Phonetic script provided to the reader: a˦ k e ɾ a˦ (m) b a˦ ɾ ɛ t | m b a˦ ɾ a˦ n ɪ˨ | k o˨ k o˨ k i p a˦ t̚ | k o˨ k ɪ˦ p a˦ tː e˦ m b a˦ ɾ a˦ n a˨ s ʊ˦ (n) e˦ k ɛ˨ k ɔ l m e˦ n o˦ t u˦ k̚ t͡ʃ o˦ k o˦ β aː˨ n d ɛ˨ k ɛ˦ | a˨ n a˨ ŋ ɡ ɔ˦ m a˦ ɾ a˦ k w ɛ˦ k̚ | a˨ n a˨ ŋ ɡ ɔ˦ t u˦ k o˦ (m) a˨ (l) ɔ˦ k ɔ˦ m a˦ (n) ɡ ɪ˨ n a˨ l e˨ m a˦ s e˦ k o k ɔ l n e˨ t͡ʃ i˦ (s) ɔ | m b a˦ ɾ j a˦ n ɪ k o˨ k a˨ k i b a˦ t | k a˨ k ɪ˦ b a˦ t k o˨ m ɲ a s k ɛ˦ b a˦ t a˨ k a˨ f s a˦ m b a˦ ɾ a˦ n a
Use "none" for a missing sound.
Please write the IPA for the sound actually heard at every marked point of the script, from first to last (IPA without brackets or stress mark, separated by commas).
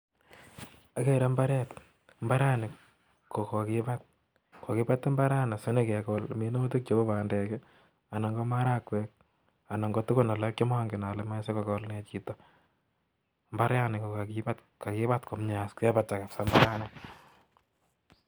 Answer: m, n, n, l, ŋ, t